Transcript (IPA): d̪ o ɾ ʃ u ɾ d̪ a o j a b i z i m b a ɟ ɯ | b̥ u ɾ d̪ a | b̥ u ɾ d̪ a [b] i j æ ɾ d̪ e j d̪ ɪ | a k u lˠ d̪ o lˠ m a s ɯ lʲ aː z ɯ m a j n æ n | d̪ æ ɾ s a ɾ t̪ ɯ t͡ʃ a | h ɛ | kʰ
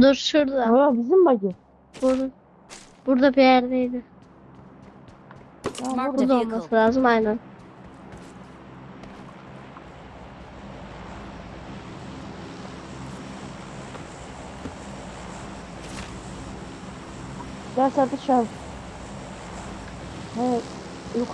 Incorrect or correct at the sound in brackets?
correct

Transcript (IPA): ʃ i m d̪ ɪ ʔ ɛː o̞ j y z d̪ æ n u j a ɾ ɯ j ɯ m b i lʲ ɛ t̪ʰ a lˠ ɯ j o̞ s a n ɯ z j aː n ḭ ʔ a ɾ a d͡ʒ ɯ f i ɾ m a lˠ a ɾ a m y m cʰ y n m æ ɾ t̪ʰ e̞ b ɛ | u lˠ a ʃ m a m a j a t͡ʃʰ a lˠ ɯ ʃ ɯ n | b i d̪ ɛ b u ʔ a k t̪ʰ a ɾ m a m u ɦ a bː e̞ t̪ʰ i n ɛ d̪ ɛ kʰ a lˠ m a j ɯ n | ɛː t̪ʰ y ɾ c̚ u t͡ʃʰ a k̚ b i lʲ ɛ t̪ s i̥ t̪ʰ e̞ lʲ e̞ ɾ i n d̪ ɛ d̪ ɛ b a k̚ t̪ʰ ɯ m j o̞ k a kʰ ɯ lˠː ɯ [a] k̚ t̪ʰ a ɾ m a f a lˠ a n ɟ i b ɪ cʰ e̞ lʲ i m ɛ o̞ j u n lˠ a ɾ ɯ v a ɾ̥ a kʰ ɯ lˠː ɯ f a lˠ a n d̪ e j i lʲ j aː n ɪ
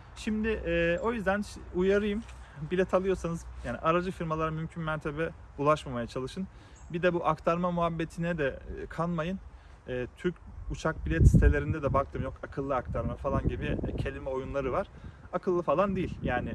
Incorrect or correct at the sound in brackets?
correct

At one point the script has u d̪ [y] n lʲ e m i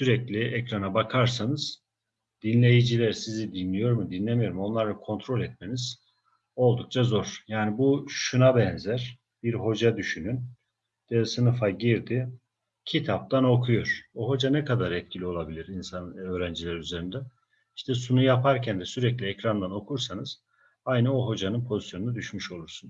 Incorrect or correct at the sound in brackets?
incorrect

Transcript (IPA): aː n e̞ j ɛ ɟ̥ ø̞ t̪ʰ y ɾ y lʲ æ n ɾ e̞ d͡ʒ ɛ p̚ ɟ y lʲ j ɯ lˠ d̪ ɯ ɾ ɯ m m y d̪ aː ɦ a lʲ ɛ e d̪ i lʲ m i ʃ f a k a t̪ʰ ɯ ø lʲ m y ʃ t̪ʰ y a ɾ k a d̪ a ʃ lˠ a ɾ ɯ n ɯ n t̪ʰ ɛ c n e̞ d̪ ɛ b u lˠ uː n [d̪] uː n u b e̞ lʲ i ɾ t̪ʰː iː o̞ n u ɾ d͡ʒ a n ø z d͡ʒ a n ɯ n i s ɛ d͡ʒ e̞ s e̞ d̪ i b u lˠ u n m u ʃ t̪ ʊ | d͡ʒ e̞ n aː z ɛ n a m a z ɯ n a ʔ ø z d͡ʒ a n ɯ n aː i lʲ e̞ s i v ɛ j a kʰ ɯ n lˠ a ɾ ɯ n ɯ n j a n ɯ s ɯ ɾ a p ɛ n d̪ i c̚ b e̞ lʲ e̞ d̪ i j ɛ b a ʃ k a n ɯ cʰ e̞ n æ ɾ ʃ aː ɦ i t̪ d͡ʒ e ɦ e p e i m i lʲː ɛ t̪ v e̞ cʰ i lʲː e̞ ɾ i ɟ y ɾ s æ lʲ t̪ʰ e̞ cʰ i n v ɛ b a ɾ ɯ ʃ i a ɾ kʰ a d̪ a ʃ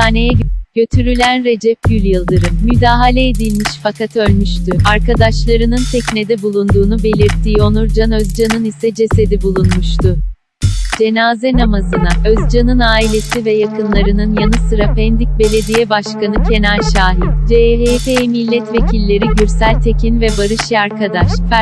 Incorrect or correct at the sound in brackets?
correct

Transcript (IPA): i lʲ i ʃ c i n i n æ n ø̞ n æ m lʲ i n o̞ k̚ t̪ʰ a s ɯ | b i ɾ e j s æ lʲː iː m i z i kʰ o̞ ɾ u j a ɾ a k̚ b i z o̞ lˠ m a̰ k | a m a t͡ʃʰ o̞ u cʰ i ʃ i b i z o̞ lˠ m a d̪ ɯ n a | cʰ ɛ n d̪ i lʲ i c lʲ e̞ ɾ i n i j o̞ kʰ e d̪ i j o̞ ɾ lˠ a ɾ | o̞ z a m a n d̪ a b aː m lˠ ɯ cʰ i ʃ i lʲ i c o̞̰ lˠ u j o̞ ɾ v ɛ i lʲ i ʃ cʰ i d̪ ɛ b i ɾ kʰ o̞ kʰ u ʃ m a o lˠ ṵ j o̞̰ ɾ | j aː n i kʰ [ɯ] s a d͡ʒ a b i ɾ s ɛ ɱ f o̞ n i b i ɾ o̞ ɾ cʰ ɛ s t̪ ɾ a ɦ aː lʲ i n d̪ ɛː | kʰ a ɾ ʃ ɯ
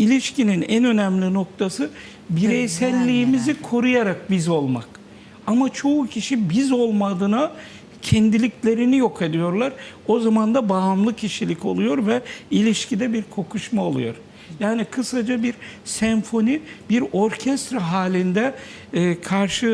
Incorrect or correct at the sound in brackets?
correct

